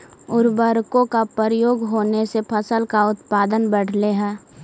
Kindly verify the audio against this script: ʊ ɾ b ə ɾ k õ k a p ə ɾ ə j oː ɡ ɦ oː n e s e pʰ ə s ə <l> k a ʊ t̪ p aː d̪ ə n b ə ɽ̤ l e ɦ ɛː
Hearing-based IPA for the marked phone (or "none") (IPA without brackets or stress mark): l